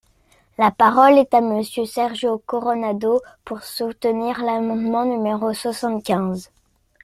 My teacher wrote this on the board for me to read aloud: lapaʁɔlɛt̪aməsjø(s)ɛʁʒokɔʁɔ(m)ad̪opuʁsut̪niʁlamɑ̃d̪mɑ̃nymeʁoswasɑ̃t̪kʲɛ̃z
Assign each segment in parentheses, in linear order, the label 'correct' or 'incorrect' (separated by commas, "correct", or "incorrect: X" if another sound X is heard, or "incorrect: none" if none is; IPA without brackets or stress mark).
correct, incorrect: n